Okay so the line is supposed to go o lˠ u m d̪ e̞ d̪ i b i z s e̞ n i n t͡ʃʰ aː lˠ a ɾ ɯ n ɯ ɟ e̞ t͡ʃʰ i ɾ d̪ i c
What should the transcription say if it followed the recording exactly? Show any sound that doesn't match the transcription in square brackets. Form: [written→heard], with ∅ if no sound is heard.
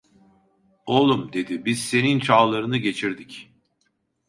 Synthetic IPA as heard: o lˠ u m d̪ e̞ d̪ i b i z s e̞ n i n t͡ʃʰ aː lˠ a ɾ ɯ n ɯ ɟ e̞ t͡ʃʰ i ɾ d̪ i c